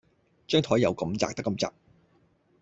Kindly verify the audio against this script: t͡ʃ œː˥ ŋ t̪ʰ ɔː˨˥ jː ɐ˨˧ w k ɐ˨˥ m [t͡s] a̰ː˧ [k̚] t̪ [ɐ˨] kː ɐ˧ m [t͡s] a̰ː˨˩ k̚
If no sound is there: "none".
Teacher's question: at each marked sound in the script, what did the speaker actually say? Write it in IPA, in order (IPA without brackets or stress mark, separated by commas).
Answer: t͡s, k̚, ɐ˥, t͡s